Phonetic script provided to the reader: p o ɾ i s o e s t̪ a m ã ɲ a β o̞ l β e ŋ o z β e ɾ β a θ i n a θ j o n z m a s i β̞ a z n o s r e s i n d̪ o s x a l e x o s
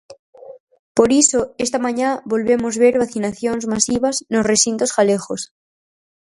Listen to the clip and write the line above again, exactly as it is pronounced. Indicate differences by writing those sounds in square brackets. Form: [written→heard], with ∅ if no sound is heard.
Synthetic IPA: p o ɾ i s o e s t̪ a m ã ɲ a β o̞ l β e [ŋ→m] o z β e ɾ β a θ i n a θ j o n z m a s i β̞ a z n o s r e s i n [d̪→t̪] o s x a l e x o s